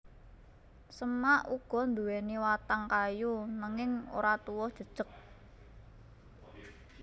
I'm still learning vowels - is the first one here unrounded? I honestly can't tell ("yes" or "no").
yes